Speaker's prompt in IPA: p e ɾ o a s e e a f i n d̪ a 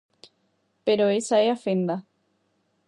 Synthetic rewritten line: p e ɾ o e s a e a f e n d̪ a